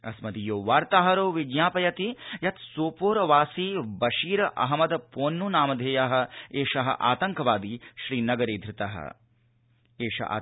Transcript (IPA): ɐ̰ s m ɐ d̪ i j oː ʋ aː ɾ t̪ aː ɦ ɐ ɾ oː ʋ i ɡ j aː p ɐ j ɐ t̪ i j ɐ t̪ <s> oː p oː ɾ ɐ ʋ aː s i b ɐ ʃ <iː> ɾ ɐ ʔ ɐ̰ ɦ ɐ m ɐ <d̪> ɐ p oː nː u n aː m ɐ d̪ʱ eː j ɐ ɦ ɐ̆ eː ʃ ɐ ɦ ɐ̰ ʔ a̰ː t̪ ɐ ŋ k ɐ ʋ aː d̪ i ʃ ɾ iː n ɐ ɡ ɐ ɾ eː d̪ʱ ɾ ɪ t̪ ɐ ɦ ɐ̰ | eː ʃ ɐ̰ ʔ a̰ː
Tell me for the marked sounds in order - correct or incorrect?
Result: correct, correct, correct

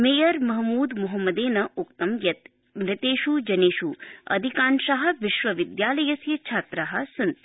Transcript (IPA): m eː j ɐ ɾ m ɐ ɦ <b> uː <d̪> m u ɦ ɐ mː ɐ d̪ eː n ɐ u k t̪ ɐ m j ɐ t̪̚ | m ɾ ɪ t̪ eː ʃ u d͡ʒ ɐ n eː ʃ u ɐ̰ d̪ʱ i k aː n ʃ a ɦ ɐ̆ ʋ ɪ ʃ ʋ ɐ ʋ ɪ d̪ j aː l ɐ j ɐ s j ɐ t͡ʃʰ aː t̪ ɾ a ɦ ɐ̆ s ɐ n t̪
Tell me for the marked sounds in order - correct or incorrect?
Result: incorrect, correct

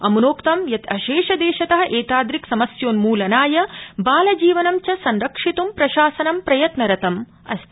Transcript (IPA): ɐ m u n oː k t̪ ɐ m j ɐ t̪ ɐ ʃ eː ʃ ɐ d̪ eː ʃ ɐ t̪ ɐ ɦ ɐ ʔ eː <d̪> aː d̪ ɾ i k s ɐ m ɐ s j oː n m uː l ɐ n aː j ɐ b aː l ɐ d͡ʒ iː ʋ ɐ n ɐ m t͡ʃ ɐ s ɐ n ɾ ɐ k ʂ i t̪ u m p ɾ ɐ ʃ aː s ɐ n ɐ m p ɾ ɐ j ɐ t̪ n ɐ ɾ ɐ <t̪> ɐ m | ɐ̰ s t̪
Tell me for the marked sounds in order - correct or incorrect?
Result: incorrect, correct

